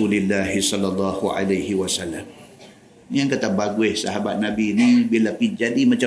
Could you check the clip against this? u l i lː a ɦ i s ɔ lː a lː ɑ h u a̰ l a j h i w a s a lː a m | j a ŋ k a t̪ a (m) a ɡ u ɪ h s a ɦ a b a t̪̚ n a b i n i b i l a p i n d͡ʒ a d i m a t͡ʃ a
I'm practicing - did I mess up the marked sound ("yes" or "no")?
yes